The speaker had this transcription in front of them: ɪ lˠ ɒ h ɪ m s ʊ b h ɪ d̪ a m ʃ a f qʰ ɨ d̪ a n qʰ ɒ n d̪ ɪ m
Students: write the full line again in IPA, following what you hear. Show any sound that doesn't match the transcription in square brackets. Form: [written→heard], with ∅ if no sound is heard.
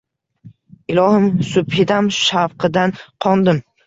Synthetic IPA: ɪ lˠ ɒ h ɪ m s ʊ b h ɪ d̪ a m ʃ a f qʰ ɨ d̪ a n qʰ ɒ n d̪ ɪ m